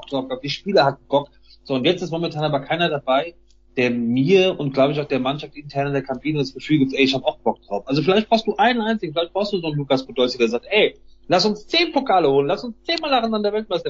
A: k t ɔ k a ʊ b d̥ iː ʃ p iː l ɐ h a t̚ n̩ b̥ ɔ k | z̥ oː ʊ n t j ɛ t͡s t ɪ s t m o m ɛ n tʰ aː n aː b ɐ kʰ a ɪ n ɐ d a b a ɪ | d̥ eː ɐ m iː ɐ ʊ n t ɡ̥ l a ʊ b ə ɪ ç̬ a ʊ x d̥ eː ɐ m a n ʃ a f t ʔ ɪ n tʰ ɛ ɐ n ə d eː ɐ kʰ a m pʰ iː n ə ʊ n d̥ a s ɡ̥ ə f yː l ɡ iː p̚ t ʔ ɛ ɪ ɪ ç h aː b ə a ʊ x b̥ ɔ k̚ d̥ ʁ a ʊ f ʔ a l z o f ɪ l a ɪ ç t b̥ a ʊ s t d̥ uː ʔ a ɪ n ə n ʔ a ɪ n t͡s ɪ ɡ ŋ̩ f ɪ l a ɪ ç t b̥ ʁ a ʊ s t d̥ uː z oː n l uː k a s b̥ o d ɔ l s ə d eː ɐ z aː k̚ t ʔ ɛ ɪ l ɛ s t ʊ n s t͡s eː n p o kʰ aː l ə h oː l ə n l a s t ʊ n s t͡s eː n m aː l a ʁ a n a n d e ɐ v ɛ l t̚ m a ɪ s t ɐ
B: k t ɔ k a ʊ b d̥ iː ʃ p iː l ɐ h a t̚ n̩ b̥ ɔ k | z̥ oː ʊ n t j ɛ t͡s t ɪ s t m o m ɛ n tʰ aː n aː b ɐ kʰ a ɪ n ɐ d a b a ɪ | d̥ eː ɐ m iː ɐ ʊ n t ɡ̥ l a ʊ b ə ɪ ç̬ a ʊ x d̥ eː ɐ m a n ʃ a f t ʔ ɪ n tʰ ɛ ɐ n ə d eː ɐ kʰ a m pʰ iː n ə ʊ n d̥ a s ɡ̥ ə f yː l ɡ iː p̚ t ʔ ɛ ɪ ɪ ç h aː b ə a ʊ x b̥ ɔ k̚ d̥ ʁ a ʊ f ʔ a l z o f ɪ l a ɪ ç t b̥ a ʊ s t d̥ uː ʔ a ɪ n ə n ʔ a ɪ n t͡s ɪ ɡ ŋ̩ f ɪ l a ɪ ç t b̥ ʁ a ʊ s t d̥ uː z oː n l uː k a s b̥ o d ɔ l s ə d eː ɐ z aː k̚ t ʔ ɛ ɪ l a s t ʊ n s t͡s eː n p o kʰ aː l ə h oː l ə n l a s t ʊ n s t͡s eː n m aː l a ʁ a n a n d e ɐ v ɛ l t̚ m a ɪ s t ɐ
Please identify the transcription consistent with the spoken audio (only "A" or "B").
B